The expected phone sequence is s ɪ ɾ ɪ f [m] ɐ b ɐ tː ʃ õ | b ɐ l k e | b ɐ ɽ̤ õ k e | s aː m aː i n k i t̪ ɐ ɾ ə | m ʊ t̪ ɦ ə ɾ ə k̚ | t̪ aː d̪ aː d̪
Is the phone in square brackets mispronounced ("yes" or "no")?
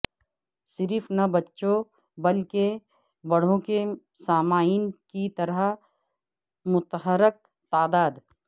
yes